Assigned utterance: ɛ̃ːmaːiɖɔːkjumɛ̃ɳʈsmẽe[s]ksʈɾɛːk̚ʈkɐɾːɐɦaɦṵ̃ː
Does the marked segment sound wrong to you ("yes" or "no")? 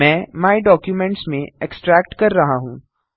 yes